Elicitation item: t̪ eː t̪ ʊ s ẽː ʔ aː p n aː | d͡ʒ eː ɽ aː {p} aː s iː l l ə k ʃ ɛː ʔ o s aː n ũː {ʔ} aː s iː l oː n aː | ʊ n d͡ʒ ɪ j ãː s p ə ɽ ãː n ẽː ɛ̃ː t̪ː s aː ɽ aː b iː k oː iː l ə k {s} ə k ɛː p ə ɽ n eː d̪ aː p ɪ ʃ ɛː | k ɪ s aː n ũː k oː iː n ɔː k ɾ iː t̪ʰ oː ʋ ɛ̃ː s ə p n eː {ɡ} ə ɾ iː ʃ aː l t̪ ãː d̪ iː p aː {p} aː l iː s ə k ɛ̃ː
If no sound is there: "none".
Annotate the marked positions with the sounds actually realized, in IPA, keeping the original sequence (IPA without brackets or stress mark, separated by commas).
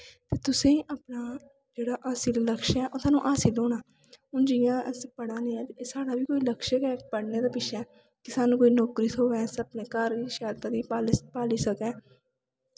ʔ, ʔ, ʃ, k, p